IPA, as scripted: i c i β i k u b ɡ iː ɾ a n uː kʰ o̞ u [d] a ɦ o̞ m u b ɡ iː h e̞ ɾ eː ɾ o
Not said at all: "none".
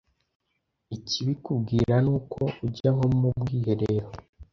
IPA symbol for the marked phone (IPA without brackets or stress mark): ɟ